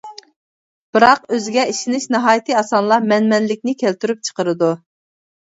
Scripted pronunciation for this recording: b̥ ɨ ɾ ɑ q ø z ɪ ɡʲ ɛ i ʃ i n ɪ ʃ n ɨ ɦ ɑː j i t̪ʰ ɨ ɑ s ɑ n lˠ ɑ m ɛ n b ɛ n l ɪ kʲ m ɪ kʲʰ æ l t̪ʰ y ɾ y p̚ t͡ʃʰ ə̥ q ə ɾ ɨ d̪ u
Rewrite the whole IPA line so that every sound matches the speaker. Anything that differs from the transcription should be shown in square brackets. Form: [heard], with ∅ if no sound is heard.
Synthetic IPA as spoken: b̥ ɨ ɾ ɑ q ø z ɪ ɡʲ ɛ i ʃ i n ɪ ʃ n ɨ ɦ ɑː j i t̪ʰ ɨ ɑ s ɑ n lˠ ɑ m ɛ n [m] ɛ n l ɪ kʲ [n] ɪ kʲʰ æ l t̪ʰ y ɾ y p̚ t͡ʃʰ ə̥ q ə ɾ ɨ d̪ u

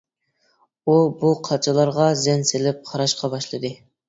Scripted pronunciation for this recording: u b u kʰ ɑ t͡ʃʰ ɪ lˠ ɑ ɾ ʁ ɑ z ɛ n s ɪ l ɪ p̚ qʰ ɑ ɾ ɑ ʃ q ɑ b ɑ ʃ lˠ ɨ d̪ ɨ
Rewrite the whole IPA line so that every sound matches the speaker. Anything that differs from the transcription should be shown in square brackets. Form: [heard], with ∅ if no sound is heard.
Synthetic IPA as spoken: u b u [qʰ] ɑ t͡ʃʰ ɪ lˠ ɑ ɾ ʁ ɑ z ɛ n s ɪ l ɪ p̚ qʰ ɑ ɾ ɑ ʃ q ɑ b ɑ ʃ lˠ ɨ d̪ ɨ

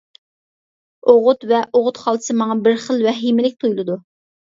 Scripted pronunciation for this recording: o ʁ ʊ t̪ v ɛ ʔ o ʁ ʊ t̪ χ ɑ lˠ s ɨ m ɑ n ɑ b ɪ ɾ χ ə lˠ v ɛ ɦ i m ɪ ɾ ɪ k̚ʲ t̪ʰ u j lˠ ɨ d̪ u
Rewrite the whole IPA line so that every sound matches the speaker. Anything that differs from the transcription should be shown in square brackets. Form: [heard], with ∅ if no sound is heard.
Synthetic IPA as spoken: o ʁ ʊ t̪ v ɛ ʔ o ʁ ʊ t̪ χ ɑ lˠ s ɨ m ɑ [ŋ] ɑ b ɪ ɾ χ ə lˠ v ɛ ɦ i m ɪ [l] ɪ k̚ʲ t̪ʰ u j lˠ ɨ d̪ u

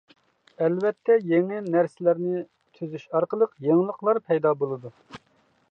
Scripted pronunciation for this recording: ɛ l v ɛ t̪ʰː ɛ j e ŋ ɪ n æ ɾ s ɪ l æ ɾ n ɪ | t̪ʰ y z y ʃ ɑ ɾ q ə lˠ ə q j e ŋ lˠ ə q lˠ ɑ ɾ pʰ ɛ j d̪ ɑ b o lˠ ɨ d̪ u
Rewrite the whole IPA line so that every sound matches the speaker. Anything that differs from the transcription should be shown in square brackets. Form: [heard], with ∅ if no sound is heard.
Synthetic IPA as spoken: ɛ l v ɛ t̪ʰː ɛ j e ŋ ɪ n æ ɾ s ɪ l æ ɾ n ɪ | t̪ʰ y z y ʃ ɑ ɾ q ə lˠ ə q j e ŋ lˠ ə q lˠ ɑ ɾ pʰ ɛ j d̪ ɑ b o lˠ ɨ d̪ u

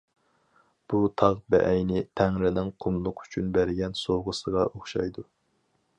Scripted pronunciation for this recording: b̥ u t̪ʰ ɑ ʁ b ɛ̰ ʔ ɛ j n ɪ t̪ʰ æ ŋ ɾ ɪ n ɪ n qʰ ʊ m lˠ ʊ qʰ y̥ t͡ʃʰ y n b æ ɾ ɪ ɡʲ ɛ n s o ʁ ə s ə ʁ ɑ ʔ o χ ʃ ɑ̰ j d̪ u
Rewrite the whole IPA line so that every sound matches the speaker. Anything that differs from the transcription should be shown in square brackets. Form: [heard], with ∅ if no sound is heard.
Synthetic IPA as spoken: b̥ u t̪ʰ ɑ ʁ b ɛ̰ ʔ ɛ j n ɪ t̪ʰ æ ŋ ɾ ɪ n ɪ [ŋ] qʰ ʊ m lˠ ʊ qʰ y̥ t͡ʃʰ y n b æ ɾ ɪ ɡʲ ɛ n s o ʁ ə s ə ʁ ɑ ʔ o χ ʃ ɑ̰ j d̪ u

